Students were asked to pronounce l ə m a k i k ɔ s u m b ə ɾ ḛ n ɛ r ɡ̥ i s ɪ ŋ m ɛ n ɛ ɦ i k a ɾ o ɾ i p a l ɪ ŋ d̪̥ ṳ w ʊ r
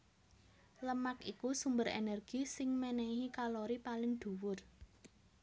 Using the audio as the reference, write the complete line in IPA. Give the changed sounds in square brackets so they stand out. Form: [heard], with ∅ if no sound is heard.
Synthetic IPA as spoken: l ə m a k i k [u] s u m b ə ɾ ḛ n ɛ r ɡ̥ i s ɪ ŋ m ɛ n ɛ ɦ i k a [l] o ɾ i p a l ɪ ŋ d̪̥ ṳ w ʊ r